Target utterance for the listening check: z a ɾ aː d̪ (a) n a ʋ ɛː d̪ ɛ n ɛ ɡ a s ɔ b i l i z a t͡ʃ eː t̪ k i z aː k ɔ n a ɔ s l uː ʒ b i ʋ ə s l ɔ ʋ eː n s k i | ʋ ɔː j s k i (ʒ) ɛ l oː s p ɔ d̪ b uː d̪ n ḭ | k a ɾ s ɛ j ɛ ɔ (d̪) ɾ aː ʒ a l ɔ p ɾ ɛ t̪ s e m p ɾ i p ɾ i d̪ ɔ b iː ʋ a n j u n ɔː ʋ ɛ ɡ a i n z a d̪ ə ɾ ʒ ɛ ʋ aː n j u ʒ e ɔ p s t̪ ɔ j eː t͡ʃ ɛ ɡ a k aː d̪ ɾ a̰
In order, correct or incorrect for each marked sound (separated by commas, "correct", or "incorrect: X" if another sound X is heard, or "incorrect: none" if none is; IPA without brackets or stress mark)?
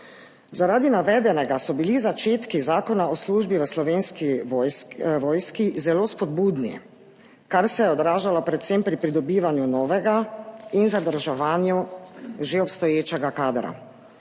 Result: incorrect: i, incorrect: z, correct